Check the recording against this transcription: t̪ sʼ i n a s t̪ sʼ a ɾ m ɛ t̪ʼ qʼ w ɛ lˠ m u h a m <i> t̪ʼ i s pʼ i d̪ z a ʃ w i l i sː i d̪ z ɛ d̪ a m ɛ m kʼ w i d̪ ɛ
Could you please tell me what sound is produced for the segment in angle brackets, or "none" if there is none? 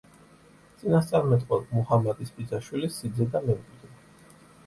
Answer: a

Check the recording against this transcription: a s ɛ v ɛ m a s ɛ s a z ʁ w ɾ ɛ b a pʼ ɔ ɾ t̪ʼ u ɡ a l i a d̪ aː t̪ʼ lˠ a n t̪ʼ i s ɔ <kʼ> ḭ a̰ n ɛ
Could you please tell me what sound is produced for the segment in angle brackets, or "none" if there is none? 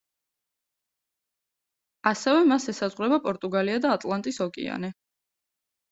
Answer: kʼ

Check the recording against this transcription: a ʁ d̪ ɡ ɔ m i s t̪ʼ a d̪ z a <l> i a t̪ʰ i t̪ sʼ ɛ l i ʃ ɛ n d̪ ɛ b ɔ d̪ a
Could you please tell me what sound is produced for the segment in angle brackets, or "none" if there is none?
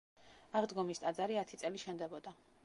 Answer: ɾ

